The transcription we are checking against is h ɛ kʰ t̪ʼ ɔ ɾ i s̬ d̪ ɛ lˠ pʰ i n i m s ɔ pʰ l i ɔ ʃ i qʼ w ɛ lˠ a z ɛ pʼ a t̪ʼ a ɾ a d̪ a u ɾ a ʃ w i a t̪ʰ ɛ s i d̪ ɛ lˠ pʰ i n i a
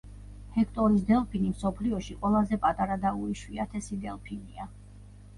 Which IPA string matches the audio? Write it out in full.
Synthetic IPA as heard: h ɛ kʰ t̪ʼ ɔ ɾ i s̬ d̪ ɛ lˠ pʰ i n i m s ɔ pʰ l i ɔ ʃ i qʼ w ɛ lˠ a z ɛ pʼ a t̪ʼ a ɾ a d̪ a u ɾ i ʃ w i a t̪ʰ ɛ s i d̪ ɛ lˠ pʰ i n i a